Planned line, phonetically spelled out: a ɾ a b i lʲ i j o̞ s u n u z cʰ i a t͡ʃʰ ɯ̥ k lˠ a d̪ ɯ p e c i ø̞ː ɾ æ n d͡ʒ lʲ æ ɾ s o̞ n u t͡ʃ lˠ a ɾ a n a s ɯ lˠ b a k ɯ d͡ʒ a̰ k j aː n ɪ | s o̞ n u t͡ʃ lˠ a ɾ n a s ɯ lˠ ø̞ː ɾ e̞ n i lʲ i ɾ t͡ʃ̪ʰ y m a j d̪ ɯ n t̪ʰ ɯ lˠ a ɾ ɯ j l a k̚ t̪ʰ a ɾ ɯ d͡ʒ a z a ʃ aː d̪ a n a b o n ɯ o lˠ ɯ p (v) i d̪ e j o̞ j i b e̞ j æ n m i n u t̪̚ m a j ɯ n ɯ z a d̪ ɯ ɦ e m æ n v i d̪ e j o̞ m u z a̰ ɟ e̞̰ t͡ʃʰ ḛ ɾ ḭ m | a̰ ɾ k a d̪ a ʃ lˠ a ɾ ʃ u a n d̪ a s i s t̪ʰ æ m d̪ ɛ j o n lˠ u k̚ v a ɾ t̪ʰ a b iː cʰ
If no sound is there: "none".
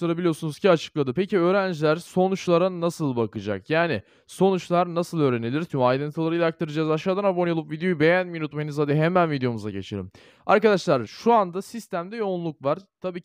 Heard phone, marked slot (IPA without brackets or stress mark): v